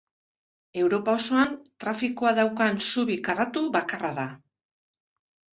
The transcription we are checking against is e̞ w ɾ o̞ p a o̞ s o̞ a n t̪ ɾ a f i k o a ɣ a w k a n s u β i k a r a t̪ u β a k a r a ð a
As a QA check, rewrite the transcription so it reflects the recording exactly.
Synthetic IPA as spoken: e̞ w ɾ o̞ p a o̞ s o̞ a n t̪ ɾ a f i k o a ð a w k a n s u β i k a r a t̪ u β a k a r a ð a